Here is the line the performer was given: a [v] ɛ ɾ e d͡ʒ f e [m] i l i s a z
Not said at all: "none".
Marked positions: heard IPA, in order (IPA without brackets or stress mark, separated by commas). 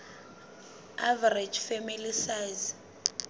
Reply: v, m